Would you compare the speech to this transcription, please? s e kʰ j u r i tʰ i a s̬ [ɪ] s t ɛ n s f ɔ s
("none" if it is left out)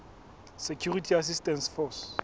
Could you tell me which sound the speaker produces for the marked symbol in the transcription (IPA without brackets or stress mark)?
i